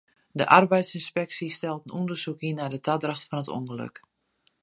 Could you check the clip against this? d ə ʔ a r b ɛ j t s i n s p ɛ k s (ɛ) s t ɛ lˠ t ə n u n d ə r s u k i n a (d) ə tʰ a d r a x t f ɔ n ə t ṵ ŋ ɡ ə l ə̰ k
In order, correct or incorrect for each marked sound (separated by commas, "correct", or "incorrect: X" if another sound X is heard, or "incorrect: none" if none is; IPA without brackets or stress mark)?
incorrect: i, correct